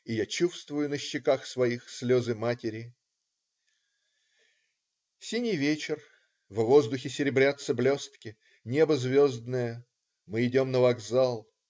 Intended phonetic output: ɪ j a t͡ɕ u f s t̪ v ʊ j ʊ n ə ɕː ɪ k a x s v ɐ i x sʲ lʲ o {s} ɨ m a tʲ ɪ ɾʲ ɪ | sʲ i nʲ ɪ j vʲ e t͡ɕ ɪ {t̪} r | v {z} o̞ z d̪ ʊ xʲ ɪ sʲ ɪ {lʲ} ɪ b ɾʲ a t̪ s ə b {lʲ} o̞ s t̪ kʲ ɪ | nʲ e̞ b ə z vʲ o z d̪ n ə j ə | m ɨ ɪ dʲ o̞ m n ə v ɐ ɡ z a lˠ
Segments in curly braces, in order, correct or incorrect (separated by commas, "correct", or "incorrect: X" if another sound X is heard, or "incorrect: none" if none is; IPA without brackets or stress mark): incorrect: z, incorrect: none, incorrect: v, incorrect: ɾʲ, correct